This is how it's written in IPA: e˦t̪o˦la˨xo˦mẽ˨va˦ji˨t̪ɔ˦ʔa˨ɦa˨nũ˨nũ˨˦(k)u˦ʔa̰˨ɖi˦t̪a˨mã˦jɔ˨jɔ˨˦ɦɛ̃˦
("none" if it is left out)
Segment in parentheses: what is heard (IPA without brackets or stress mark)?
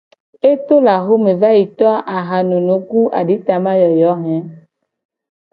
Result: k